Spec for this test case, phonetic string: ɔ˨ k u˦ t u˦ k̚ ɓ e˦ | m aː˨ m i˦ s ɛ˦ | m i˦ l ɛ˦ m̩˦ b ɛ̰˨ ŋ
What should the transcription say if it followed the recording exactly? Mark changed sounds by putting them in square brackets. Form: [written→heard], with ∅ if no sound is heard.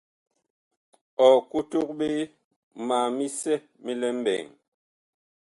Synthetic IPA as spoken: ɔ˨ k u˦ t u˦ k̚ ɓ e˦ | m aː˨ m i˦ s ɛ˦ | m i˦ l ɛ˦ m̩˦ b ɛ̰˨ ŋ